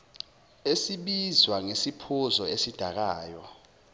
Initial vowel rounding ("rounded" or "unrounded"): unrounded